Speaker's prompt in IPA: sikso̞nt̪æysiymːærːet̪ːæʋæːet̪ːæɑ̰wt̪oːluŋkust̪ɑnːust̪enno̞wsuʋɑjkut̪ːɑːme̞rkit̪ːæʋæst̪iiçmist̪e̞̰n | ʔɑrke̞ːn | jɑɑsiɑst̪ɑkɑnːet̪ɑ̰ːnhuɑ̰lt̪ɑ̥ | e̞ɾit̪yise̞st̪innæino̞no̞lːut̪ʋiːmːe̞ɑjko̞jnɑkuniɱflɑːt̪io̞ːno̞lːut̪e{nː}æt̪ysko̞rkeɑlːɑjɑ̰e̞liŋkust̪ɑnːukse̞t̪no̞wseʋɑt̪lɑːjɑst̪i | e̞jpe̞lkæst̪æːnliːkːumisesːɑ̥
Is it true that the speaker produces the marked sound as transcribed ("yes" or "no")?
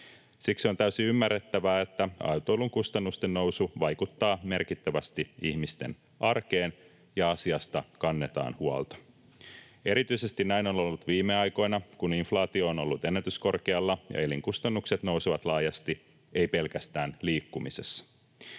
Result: yes